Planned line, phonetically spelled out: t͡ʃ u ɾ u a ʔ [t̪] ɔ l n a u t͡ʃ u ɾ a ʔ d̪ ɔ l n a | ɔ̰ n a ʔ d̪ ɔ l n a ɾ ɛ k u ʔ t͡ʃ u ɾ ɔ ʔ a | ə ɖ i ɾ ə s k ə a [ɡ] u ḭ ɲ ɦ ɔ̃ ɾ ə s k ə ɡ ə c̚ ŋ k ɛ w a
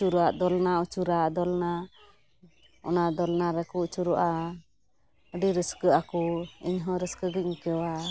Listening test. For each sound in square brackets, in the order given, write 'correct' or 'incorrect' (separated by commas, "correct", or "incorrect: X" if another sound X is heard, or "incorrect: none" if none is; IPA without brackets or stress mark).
incorrect: d̪, incorrect: k